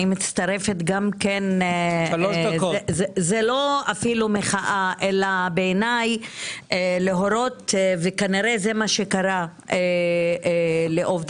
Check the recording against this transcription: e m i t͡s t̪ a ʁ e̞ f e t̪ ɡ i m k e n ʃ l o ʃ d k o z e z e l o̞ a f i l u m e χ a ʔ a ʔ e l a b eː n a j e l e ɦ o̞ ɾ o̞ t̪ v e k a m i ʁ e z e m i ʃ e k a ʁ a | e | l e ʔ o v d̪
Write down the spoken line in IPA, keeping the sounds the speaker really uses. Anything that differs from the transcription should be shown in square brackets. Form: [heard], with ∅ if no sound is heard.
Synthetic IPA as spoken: [i] m i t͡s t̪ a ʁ e̞ f e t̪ ɡ [a] m k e n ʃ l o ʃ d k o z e z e l o̞ a f i l u m e χ a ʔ a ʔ e l a b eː n a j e l e ɦ o̞ ɾ o̞ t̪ v e k a [n] i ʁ e z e m [a] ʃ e k a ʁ a | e | l e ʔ o v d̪